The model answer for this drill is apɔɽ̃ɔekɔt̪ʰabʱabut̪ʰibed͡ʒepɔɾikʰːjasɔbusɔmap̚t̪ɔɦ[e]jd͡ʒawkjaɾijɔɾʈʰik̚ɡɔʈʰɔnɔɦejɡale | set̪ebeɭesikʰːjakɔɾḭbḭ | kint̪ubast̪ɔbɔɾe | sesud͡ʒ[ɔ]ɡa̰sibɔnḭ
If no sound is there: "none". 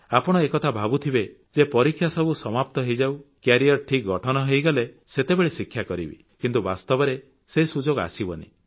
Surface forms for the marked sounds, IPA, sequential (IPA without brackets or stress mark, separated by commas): e, o